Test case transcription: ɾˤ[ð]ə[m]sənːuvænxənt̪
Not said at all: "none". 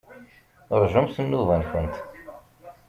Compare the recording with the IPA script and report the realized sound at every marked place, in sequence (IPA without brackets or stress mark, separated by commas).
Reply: ʒ, m